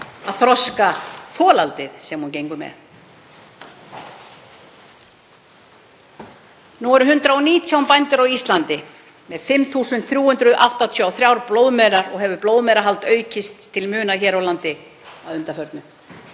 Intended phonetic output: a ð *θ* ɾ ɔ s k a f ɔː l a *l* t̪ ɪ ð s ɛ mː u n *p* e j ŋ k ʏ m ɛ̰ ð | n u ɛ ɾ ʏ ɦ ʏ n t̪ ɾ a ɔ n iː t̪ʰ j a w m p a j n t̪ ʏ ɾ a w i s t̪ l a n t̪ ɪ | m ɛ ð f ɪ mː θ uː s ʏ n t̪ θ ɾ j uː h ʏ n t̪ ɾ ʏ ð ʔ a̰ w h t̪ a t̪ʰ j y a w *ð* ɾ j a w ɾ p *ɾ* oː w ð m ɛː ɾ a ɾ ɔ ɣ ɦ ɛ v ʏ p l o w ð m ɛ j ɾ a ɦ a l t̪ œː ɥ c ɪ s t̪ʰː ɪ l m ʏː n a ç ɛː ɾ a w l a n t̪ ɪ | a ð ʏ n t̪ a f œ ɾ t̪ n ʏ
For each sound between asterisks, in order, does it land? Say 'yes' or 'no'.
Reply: yes, yes, no, no, no

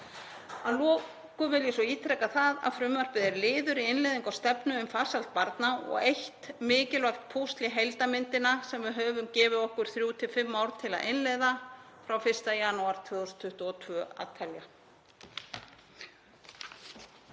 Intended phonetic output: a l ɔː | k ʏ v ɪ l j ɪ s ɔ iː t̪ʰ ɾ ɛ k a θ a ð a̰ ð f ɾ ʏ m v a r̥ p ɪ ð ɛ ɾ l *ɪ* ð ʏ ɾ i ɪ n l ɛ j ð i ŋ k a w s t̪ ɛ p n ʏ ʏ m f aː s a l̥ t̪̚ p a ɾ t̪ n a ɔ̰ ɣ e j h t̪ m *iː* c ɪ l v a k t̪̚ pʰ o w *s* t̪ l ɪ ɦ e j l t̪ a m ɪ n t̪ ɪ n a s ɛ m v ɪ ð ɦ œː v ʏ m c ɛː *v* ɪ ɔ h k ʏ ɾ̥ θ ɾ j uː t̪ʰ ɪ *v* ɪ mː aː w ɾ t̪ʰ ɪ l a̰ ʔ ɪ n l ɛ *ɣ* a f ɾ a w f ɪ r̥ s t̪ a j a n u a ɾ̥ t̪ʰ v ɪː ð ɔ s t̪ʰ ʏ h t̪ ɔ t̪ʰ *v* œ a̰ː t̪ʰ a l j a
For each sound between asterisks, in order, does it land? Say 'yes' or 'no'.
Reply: no, no, yes, yes, no, no, yes

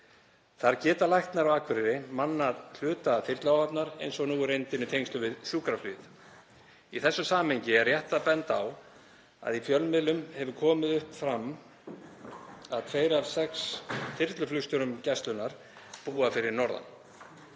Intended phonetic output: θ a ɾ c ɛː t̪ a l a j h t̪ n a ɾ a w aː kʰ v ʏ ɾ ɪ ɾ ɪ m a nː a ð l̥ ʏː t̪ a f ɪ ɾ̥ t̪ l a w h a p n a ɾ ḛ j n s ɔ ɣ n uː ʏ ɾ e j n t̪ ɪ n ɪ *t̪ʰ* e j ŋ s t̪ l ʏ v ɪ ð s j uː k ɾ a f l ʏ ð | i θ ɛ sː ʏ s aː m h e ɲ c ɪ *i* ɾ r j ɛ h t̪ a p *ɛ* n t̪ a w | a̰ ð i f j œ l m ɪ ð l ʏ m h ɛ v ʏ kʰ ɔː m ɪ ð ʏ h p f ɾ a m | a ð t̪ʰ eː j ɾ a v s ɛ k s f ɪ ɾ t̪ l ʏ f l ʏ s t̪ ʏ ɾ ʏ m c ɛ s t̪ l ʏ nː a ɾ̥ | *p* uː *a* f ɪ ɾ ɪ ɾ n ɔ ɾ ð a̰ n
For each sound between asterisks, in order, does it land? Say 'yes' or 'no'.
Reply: yes, no, yes, yes, yes

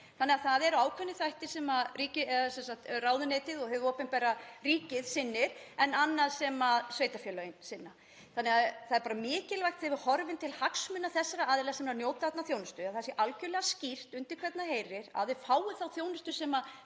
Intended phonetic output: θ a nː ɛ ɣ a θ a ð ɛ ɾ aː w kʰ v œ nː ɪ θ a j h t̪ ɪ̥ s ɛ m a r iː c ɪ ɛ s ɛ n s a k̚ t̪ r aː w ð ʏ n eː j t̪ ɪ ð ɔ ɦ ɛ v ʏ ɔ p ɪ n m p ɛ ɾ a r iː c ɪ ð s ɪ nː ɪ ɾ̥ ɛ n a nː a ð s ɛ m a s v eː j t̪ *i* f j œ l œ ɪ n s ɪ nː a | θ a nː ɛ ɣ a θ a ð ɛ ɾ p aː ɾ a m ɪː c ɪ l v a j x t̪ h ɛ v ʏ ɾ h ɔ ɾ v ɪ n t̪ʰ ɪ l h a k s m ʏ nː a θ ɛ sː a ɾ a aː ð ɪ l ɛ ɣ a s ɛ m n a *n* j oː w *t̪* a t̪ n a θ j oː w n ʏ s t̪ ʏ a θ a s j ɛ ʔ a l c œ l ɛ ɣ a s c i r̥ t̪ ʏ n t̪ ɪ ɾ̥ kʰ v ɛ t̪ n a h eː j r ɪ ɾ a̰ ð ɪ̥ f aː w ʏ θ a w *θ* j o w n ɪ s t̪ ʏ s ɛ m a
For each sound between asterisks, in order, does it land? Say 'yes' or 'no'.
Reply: no, yes, yes, yes

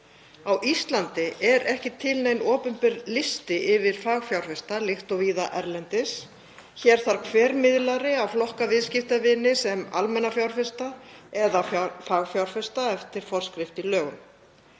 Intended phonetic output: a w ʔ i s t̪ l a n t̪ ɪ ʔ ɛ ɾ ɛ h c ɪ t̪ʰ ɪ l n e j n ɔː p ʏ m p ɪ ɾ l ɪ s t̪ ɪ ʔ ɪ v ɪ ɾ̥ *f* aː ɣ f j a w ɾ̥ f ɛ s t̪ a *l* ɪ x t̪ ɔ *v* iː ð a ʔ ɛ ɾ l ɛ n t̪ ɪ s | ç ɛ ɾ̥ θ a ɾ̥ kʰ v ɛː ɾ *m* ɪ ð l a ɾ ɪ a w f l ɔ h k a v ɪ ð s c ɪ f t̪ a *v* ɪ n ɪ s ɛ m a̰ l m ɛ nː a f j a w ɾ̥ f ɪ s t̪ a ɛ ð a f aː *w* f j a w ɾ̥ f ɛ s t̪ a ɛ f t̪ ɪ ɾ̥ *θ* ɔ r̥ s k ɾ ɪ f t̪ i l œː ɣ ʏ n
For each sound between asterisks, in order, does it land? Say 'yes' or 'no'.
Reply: yes, yes, yes, yes, yes, no, no

